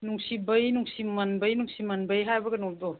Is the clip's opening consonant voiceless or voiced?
voiced